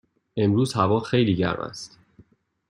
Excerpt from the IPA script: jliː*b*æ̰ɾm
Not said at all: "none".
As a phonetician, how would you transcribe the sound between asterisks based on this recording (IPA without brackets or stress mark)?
ɟ